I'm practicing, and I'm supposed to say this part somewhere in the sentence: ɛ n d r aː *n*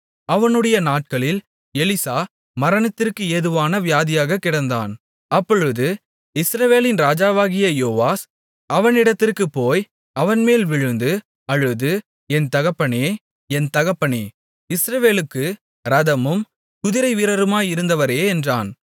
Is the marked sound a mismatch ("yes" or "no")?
no